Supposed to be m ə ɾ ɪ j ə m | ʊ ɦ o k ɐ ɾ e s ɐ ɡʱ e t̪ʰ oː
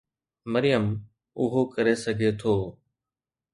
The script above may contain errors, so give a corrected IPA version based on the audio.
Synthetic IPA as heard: m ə ɾ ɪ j ə m | ʊ ɦ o k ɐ ɾ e s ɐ ɡʱ e t̪ʰ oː